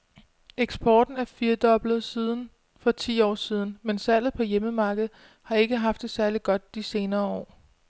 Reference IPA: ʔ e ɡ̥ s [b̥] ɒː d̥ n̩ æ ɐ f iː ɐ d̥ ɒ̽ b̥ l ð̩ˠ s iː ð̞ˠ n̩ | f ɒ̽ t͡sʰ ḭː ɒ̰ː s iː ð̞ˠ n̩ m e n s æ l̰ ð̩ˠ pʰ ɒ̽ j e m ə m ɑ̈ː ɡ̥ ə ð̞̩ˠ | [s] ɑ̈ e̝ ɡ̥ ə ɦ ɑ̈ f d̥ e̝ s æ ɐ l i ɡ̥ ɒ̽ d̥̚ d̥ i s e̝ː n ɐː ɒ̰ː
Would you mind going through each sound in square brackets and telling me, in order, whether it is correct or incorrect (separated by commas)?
correct, incorrect